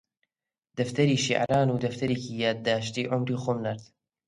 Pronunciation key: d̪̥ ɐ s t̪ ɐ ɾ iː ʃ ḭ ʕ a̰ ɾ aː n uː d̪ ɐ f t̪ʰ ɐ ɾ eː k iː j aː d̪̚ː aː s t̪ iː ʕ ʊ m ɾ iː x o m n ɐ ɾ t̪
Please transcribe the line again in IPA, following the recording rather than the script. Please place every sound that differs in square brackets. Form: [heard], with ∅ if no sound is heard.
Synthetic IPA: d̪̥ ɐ [f] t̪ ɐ ɾ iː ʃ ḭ ʕ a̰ ɾ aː n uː d̪ ɐ f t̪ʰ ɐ ɾ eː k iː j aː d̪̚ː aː [ʃ] t̪ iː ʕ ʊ m ɾ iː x o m n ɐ ɾ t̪